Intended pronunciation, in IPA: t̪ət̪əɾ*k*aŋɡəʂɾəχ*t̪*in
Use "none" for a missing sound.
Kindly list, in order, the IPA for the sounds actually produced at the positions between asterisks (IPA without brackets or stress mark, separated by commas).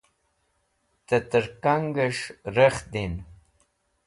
k, d̪